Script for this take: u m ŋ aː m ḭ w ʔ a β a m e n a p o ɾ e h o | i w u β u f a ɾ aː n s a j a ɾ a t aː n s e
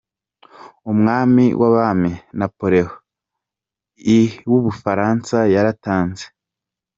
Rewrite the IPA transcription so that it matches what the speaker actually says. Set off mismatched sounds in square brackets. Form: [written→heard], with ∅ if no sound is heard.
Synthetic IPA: u m ŋ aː m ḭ w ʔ a β a m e n a p o ɾ e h o | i w u β u f a ɾ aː n s a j a ɾ a t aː n [s→z] e